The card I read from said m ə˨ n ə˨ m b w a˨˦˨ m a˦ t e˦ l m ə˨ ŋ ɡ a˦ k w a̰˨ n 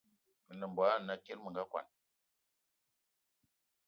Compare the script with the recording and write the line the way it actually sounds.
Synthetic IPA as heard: m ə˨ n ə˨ m b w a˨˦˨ n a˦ k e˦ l m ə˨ ŋ ɡ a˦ k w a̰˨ n